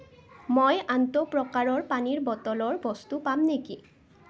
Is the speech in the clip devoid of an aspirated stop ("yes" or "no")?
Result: yes